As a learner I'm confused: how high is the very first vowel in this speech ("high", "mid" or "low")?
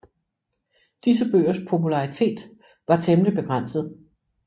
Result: high